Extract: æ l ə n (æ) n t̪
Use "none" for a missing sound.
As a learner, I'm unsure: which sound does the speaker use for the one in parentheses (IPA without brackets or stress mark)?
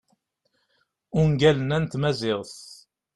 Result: æ